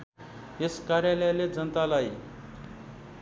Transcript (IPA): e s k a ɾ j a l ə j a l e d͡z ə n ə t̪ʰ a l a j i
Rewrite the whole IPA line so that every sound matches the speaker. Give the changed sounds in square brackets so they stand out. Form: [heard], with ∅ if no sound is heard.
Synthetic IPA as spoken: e s k a ɾ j a l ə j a l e d͡z ə n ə [t̪] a l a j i

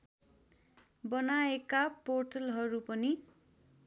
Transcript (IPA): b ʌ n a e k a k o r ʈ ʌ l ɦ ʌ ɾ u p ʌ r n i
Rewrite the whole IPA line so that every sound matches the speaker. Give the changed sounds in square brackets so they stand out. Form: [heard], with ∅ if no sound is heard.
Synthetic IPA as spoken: b ʌ n a e k a [p] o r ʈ ʌ l ɦ ʌ ɾ u p ʌ [∅] n i

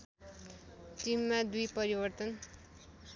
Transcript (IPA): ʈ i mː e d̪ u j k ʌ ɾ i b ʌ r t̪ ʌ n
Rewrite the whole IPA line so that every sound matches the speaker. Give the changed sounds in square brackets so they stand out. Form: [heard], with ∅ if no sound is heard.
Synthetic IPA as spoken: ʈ i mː [a] d̪ u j [p] ʌ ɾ i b ʌ r t̪ ʌ n

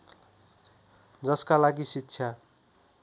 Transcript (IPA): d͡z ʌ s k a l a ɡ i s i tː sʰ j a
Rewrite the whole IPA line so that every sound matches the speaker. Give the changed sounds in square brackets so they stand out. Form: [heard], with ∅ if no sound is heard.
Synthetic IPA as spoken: d͡z ʌ s k a l a ɡ i s i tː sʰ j a

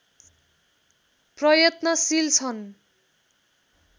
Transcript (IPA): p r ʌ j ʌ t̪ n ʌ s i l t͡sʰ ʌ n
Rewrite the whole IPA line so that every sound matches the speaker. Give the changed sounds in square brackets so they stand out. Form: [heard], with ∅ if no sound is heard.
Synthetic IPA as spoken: p r ʌ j ʌ t̪ n ʌ s i l t͡sʰ ʌ n

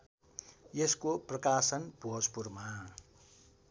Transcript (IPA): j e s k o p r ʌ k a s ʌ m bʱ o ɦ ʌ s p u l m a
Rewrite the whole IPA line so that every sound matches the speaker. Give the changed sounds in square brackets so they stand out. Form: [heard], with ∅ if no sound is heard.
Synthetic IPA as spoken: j e s k o p r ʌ k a s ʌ [n] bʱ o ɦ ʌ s p u [r] m a

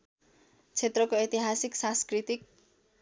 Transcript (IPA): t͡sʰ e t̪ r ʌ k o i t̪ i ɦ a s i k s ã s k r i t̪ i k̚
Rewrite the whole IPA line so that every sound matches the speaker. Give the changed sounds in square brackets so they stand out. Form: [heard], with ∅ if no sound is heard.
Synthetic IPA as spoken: t͡sʰ e t̪ r ʌ k o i t̪ i ɦ a s i k s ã s k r i t̪ i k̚

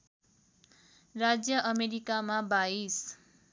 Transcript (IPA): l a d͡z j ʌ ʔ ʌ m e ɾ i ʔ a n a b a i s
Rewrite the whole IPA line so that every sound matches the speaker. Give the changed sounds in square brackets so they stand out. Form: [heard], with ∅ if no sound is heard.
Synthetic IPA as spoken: [r] a d͡z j ʌ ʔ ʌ m e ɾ i [k] a [m] a b a i s

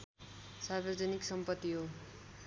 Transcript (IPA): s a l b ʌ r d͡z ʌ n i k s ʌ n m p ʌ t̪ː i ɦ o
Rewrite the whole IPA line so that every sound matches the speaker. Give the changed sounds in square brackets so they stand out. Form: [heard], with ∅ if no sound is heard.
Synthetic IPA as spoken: s a [r] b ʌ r d͡z ʌ n i k s ʌ [∅] m p ʌ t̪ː i ɦ o

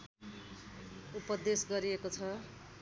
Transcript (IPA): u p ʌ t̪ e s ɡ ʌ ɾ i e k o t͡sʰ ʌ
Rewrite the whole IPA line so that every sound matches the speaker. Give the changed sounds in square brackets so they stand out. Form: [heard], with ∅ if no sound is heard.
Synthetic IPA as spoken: u p ʌ [d̪] e s ɡ ʌ ɾ i e k o t͡sʰ ʌ

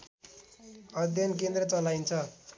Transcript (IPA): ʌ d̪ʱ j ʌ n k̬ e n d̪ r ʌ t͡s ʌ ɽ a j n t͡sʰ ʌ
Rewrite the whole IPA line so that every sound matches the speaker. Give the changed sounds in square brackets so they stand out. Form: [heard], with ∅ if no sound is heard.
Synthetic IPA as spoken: ʌ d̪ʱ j ʌ n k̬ e n d̪ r ʌ t͡s ʌ [l] a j n t͡sʰ ʌ

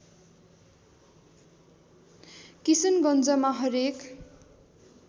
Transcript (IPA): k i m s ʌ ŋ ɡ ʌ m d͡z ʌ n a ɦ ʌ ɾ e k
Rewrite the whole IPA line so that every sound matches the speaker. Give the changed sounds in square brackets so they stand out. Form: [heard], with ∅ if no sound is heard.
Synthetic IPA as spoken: k i [∅] s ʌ [n] ɡ ʌ [n] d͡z ʌ [m] a ɦ ʌ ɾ e k

